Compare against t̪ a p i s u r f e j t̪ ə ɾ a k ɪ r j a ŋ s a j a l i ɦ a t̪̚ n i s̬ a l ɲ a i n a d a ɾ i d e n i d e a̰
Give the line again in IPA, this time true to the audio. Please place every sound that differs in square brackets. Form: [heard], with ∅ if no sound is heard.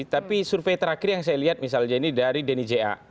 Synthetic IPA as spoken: t̪ a p i s u r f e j t̪ ə ɾ a k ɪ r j a ŋ s a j a l i ɦ a t̪̚ [m] i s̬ a l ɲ a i n [i] d a ɾ i d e n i [d͡ʒ] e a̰

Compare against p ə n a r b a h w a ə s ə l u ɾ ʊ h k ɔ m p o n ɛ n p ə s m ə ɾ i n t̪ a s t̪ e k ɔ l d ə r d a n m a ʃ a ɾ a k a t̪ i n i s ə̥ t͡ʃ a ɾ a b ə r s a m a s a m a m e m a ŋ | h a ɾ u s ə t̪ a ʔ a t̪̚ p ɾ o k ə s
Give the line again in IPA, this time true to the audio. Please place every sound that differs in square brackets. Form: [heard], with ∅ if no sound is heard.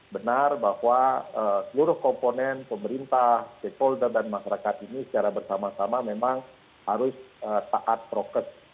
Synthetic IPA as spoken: [b] ə n a r b a h w a ə s ə l u ɾ ʊ h k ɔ m p o n ɛ n p ə [∅] m ə ɾ i n t̪ a [h] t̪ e k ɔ l d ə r d a n m a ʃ a ɾ a k a t̪ i n i s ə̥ t͡ʃ a ɾ a b ə r s a m a s a m a m e m a ŋ | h a ɾ [ʊ] s ə t̪ a ʔ a t̪̚ p ɾ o k ə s

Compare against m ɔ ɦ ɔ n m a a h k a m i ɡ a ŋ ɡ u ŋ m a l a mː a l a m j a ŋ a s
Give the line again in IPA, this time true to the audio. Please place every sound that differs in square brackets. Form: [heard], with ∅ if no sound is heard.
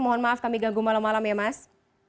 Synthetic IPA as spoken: m ɔ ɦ ɔ n m a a [f] k a m i ɡ a ŋ ɡ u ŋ m a l a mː a l a m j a [m] a s

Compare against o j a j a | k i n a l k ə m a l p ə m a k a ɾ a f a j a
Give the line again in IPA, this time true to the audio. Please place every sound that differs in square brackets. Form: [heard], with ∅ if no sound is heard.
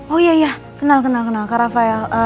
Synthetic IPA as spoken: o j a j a | k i n a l k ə [n] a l [k] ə [n] a k a ɾ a f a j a

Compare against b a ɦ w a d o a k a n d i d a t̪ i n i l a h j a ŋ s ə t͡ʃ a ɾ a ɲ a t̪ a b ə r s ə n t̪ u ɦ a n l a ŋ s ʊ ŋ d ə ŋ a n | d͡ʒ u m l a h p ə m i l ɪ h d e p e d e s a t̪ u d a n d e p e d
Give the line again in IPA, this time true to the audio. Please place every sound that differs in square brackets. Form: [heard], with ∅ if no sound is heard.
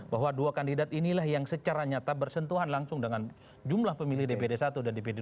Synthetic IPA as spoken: b a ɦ w a d [u] a k a n d i d a t̪ i n i l a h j a ŋ s ə t͡ʃ a ɾ a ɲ a t̪ a b ə r s ə n t̪ u ɦ a n l a ŋ s ʊ ŋ d ə ŋ a n | d͡ʒ u m l a h p ə m i l ɪ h d e p e d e s a t̪ u d a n d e p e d

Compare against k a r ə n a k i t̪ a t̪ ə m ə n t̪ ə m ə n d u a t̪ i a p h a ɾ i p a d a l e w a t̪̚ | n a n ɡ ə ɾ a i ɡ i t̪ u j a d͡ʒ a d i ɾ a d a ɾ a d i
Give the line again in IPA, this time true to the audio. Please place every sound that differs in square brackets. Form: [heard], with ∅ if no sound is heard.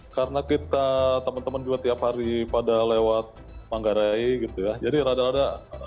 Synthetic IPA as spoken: k a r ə n a k i t̪ a t̪ ə m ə n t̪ ə m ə n [d͡ʒ] u a t̪ i a p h a ɾ i p a d a l e w a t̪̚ | [m] a [ŋ] ɡ [a] ɾ a i ɡ i t̪ u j a d͡ʒ a d i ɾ a d a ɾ a d [a]

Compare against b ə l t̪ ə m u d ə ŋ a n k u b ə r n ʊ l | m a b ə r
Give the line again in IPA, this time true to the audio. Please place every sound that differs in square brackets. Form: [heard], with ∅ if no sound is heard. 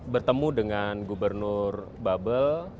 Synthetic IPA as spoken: b ə [r] t̪ ə m u d ə ŋ a n [ɡ] u b ə r n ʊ [r] | [b] a b ə [l]

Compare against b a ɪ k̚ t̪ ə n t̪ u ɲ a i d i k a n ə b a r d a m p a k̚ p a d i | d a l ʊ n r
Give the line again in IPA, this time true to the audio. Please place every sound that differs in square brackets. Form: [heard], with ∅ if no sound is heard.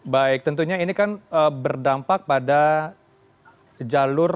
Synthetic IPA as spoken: b a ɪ k̚ t̪ ə n t̪ u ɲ a i [n] i k a n ə b [ə] r d a m p a k̚ p a d [a] | [d͡ʒ] a l ʊ [∅] r

